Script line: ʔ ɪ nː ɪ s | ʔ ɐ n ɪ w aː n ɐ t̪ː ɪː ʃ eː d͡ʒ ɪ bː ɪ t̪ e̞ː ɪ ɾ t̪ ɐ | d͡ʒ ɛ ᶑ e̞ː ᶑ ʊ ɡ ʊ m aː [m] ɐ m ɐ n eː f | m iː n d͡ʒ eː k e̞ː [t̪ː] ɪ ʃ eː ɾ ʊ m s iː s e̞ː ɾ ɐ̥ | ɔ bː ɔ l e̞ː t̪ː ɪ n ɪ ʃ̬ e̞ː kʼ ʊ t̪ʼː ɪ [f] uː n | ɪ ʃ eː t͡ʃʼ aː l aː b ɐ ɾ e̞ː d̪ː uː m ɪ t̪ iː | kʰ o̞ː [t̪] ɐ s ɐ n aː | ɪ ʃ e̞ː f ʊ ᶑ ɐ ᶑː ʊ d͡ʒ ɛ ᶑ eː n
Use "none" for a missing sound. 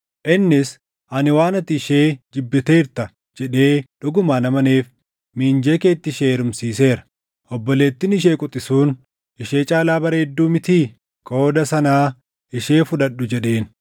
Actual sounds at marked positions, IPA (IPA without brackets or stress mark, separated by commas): n, t̪ː, s, d̪